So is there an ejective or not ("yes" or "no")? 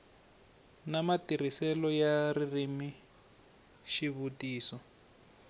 no